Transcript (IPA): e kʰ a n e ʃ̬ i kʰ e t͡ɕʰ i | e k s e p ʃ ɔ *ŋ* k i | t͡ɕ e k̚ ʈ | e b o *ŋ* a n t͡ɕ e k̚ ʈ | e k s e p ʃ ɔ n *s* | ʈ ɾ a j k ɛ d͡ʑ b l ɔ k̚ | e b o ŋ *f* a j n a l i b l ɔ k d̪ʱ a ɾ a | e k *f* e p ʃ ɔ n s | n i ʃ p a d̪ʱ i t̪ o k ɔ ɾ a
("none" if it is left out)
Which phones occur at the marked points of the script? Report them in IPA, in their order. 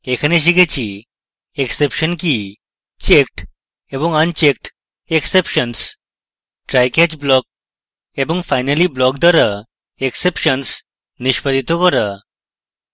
n, ŋ, s, f, s

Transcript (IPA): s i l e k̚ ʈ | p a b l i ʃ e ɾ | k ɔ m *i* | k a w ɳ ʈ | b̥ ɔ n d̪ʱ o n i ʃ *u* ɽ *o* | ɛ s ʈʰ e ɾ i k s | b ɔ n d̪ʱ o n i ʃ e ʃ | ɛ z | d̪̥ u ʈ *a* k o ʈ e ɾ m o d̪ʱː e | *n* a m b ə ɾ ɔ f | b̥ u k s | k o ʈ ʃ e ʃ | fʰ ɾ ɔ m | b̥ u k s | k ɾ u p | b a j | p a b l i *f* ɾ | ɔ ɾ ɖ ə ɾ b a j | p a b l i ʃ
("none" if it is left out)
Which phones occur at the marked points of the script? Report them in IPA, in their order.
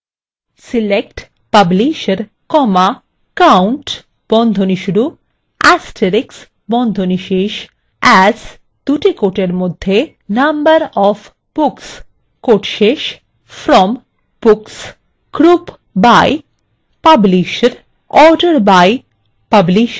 a, u, u, i, n, ʃ

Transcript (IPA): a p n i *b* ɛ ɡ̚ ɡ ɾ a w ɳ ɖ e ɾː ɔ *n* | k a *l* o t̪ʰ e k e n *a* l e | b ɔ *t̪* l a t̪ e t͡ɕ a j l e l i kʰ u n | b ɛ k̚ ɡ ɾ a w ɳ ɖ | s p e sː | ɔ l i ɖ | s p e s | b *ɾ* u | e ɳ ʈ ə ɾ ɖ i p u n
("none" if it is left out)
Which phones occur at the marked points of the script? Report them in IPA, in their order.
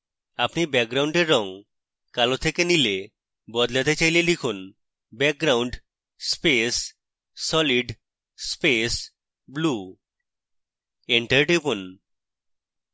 b, ŋ, l, i, d̪, l

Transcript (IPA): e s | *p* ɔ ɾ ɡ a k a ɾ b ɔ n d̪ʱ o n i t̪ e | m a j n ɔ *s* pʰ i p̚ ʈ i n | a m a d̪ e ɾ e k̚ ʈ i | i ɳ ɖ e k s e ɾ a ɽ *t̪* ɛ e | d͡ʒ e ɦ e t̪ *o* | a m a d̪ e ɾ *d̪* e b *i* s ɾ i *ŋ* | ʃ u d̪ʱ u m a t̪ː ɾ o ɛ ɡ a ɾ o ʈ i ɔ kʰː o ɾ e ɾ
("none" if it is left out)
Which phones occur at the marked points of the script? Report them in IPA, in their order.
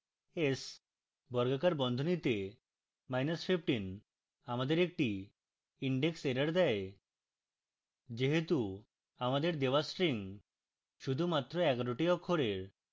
b, s, d̪, u, d̪, a, ŋ

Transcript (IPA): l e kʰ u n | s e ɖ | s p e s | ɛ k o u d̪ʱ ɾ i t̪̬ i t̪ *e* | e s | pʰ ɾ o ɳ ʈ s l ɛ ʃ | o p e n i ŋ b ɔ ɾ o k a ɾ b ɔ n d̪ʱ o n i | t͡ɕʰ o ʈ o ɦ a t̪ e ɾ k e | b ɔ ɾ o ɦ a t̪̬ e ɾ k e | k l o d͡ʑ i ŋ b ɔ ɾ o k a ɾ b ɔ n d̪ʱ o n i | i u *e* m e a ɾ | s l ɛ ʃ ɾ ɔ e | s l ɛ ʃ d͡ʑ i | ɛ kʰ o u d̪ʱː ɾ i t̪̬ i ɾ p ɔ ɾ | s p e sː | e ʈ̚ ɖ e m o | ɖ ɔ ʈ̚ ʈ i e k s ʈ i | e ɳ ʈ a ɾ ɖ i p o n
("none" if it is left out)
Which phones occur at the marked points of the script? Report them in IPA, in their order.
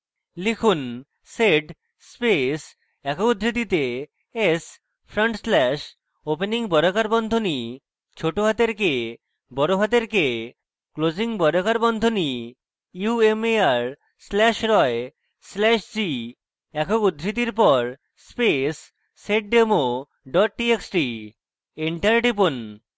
e, e

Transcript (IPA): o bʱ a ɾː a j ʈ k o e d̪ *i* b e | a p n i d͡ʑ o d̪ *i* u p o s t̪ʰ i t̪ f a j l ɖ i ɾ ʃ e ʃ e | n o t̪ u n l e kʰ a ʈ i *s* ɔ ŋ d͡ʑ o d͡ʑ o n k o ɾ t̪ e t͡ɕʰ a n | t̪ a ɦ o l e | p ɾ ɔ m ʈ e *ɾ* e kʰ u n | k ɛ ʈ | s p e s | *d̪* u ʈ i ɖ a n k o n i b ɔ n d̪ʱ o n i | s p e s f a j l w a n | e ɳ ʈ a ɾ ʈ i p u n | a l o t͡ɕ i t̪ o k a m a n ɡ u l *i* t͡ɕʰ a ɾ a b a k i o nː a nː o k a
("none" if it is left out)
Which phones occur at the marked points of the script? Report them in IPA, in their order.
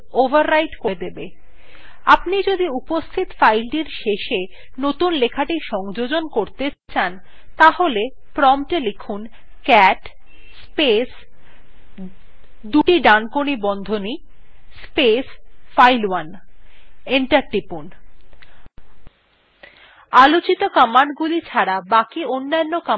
e, i, ʃ, l, d̪, i

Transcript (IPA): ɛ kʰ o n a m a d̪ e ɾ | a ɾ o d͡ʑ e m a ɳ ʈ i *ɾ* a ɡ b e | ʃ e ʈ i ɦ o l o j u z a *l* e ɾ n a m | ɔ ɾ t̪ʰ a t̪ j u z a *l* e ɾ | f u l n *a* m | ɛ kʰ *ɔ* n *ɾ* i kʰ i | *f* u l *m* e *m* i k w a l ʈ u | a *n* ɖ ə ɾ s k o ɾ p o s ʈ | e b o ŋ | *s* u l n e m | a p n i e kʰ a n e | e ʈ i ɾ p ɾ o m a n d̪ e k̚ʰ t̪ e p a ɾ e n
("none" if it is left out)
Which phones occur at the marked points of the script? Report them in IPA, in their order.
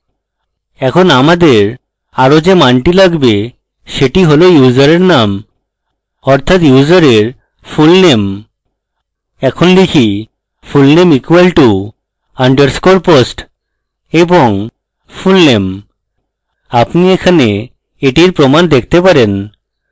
l, ɾ, ɾ, e, o, l, f, n, m, ɳ, f

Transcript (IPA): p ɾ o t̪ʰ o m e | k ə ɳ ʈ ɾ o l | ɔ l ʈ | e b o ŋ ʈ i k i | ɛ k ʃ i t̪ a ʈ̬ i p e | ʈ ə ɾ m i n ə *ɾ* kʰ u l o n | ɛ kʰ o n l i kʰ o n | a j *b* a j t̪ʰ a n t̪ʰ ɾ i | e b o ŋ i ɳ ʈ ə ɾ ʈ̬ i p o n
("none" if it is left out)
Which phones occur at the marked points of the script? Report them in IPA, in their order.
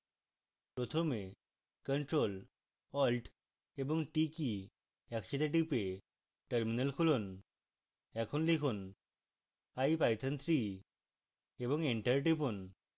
l, p

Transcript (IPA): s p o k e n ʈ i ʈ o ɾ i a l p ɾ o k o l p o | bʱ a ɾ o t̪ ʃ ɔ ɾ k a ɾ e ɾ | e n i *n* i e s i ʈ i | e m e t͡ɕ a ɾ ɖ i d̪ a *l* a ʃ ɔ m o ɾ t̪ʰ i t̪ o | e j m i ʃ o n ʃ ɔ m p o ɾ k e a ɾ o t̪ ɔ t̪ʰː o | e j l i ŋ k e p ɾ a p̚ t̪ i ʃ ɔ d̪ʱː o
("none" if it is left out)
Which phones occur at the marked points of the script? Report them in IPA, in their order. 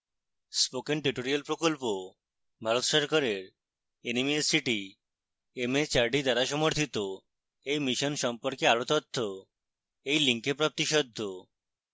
m, ɾ

